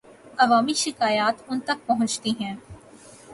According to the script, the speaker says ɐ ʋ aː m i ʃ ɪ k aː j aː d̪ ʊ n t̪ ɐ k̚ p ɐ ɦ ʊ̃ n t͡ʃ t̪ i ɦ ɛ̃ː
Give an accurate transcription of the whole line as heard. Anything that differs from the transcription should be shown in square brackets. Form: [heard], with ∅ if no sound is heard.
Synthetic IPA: ɐ ʋ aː m i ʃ ɪ k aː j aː [t̪] ʊ n t̪ ɐ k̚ p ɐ ɦ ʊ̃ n t͡ʃ t̪ i ɦ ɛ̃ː